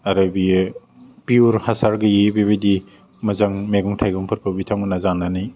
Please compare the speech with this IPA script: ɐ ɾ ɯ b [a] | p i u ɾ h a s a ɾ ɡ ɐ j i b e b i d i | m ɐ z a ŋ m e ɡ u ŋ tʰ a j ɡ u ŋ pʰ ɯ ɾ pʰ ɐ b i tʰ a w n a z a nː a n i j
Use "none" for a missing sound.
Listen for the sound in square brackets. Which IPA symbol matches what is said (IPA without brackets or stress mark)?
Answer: i